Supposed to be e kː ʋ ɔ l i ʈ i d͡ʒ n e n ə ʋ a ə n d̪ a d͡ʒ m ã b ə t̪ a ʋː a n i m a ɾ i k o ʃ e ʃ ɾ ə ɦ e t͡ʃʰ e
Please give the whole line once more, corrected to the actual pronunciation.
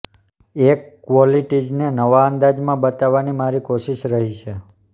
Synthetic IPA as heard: e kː ʋ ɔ l i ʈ i d͡ʒ n e n ə ʋ a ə n d̪ a d͡ʒ m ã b ə t̪ a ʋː a n i m a ɾ i k o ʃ i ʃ ɾ ə ɦ i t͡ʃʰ e